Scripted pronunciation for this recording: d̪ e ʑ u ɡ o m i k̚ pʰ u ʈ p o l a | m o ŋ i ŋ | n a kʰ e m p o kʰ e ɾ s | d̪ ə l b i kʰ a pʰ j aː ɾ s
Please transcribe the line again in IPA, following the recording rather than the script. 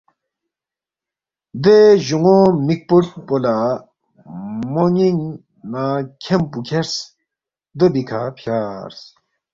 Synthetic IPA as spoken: d̪ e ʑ u ŋ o m i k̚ p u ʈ p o l a | m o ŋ i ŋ | n a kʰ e m p u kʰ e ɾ s | d̪ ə b i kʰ a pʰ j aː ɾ s